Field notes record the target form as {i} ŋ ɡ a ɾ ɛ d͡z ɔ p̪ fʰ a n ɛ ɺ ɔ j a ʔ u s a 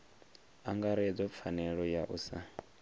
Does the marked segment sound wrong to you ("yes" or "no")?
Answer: yes